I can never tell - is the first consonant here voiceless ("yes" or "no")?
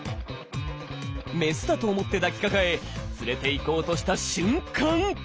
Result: no